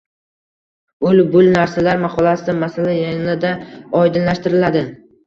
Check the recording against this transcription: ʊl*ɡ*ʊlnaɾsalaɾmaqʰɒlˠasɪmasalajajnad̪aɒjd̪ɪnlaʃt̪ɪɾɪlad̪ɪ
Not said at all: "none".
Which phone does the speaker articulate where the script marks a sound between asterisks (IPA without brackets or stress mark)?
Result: b